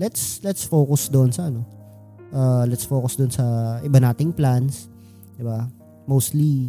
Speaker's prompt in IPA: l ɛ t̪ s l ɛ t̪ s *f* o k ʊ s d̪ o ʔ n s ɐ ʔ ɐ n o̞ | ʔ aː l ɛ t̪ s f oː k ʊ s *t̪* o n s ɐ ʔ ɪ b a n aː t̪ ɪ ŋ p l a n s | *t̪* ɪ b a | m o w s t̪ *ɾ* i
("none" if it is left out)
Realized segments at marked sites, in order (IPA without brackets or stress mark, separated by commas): f, d̪, d̪, l